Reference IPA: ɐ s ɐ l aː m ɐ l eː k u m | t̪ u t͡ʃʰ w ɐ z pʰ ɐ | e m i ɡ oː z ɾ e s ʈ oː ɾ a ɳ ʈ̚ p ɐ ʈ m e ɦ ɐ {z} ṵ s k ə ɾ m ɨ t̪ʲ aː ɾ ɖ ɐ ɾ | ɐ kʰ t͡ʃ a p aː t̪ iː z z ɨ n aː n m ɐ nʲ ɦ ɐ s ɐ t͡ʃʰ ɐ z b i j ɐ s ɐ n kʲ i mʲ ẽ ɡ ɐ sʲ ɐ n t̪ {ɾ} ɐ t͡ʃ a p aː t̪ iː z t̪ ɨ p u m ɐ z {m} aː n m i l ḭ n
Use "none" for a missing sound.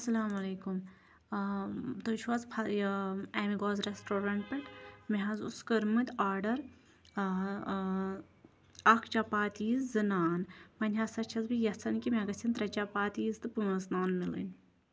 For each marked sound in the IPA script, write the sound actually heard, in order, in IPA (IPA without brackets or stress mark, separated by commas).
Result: z, ɾ, n